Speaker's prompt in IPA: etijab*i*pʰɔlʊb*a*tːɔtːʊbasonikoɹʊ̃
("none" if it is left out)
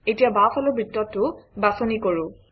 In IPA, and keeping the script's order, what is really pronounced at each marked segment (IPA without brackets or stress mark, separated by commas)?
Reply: a, i